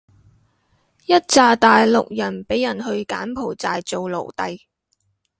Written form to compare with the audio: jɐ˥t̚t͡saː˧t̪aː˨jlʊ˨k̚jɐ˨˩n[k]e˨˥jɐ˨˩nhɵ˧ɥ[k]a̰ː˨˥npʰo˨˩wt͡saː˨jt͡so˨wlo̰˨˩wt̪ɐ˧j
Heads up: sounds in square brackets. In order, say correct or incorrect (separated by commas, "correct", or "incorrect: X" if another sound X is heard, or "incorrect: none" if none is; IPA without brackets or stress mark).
incorrect: p, correct